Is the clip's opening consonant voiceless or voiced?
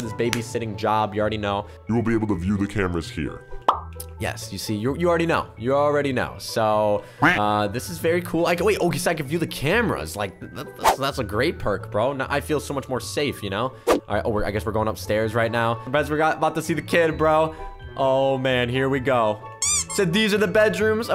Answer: voiced